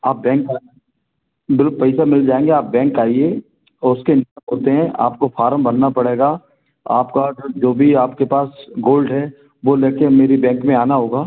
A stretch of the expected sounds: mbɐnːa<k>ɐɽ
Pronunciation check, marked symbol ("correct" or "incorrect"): incorrect